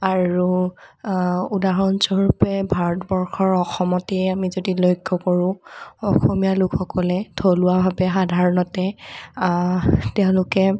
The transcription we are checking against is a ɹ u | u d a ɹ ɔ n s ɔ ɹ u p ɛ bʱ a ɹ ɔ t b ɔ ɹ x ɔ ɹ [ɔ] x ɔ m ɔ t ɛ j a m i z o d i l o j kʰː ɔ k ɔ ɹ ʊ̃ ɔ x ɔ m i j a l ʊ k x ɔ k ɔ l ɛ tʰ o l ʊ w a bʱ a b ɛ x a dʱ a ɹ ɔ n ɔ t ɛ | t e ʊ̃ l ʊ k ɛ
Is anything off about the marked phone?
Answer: no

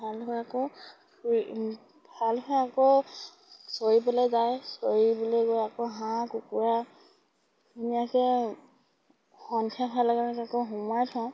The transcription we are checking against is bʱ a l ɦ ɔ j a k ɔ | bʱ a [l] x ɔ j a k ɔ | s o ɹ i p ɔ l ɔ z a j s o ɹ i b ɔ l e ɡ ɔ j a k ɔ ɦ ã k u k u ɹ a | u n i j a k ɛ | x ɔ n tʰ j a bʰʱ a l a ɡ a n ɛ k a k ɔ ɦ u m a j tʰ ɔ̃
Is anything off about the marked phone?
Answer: no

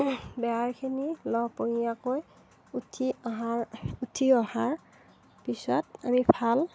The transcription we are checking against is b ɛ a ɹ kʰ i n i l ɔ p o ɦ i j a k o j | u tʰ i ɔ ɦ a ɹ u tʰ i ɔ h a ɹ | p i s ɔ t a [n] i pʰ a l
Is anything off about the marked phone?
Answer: yes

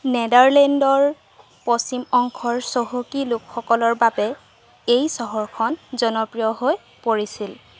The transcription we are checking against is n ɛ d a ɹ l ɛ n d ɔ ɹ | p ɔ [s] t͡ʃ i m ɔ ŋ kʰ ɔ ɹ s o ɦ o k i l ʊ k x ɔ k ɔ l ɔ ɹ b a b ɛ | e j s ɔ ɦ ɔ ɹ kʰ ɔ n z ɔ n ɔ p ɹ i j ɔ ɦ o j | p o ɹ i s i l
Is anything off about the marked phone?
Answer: no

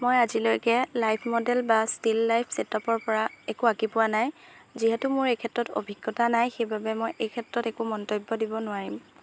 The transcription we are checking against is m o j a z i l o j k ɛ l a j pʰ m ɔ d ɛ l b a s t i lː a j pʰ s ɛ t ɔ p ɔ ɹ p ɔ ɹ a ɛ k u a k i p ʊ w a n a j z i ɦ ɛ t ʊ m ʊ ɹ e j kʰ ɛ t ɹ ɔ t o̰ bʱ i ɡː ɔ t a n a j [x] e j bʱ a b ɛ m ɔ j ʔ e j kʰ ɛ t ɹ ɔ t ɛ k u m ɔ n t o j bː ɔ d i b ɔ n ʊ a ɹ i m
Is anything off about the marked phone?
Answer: no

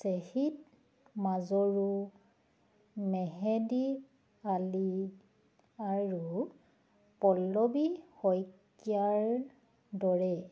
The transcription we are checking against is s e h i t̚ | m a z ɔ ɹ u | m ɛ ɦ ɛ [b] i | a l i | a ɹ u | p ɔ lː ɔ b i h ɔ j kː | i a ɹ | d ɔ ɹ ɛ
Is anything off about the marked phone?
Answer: yes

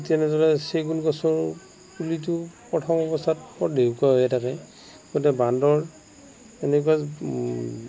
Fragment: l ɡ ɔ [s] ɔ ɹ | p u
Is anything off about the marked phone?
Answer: no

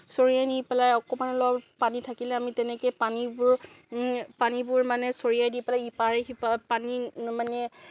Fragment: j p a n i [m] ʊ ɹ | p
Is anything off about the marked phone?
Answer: yes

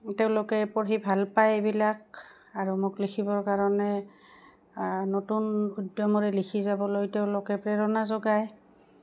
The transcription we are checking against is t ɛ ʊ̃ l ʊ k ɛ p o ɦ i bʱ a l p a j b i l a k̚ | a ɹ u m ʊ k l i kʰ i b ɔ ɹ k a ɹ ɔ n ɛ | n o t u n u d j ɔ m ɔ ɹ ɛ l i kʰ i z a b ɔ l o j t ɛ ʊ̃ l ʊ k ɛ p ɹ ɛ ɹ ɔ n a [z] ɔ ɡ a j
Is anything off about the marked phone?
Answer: no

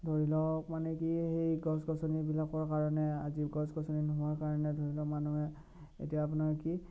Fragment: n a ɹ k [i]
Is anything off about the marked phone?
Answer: no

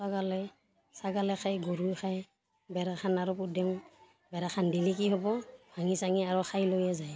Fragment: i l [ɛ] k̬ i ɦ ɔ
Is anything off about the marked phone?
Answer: yes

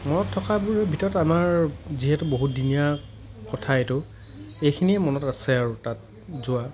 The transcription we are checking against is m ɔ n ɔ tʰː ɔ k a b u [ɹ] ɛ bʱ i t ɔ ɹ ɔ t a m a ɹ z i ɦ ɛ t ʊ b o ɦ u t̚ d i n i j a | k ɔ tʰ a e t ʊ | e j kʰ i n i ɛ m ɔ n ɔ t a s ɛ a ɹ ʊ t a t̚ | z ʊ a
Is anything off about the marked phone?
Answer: no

